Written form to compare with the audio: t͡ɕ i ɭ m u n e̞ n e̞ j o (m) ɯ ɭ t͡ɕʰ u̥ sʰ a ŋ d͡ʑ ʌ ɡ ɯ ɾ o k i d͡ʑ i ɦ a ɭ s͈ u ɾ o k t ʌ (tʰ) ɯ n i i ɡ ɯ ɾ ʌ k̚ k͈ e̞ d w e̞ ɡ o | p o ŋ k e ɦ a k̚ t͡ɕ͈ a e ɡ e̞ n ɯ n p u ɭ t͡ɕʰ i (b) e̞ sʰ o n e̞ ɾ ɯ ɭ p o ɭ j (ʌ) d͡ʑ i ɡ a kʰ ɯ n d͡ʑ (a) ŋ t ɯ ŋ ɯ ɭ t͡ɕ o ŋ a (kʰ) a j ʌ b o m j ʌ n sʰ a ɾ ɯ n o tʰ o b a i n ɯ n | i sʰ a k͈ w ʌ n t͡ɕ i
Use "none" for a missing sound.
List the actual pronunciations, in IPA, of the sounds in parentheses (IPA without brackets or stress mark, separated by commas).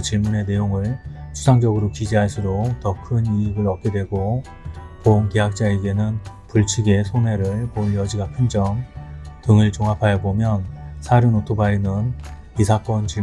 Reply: ŋ, kʰ, ɡ, ʌ, ʌ, pʰ